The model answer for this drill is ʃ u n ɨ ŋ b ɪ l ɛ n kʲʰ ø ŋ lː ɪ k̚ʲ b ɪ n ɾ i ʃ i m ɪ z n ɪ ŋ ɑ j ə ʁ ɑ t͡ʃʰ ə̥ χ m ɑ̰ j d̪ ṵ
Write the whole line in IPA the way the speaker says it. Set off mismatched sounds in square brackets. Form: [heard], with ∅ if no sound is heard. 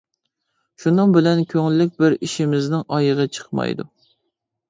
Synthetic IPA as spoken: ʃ u n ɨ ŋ b ɪ l ɛ n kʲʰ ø ŋ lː ɪ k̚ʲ b ɪ [∅] ɾ i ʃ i m ɪ z n ɪ ŋ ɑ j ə ʁ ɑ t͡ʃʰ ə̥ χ m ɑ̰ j d̪ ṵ

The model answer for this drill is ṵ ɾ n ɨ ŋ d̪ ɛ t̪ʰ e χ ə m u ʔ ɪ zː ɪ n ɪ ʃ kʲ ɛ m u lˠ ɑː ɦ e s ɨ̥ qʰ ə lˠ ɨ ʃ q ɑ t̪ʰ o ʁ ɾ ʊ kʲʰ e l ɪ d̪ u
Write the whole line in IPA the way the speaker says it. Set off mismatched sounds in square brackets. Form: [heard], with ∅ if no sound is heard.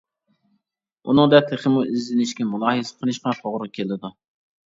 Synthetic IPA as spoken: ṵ [∅] n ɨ ŋ d̪ ɛ t̪ʰ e χ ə m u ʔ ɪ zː ɪ n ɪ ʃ kʲ ɛ m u lˠ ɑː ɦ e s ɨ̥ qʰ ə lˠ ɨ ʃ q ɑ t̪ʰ o ʁ ɾ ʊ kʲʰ e l ɪ d̪ u

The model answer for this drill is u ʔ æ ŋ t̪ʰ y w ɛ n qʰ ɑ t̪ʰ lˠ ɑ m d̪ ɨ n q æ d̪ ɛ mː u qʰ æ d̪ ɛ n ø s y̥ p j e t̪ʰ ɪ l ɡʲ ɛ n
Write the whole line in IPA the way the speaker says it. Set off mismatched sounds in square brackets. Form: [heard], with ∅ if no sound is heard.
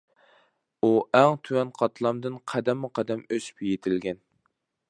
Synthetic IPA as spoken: u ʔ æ ŋ t̪ʰ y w ɛ n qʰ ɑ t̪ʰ lˠ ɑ m d̪ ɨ n [qʰ] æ d̪ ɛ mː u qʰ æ d̪ ɛ [m] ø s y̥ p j e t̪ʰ ɪ l ɡʲ ɛ n

